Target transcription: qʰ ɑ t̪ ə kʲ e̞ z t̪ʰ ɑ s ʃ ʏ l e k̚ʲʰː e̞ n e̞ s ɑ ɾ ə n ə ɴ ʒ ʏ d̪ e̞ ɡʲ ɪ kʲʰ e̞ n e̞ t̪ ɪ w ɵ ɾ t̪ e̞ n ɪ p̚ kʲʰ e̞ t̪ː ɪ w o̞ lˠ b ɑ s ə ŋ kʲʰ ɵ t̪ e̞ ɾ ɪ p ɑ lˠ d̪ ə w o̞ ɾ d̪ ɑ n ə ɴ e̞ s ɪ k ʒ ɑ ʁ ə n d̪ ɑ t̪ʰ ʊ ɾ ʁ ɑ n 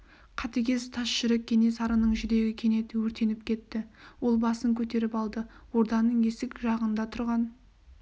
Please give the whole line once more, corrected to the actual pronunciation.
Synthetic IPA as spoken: qʰ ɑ t̪ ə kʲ e̞ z t̪ʰ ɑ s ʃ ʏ ɾ e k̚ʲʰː e̞ n e̞ s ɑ ɾ ə n ə ɴ ʒ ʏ d̪ e̞ ɡʲ ɪ kʲʰ e̞ n e̞ t̪ ɪ w ɵ ɾ t̪ e̞ n ɪ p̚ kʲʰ e̞ t̪ː ɪ w o̞ lˠ b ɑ s ə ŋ kʲʰ ɵ t̪ e̞ ɾ ɪ p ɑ lˠ d̪ ə w o̞ ɾ d̪ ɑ n ə ɴ e̞ s ɪ k ʒ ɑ ʁ ə n d̪ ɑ t̪ʰ ʊ ɾ ʁ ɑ n